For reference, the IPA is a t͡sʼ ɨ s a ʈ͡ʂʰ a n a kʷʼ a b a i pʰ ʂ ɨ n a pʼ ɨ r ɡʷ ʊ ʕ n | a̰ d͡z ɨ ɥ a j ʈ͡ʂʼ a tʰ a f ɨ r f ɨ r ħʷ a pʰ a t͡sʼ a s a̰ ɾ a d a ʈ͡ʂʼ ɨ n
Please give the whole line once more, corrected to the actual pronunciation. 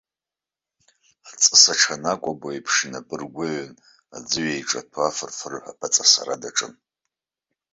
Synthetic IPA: a t͡sʼ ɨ s a ʈ͡ʂʰ a n a kʷʼ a b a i pʰ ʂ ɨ n a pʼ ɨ r ɡʷ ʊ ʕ n | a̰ d͡z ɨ ɥ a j ʈ͡ʂʼ a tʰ a f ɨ r f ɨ r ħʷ a pʰ a t͡sʼ a s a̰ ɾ a d a ʈ͡ʂʼ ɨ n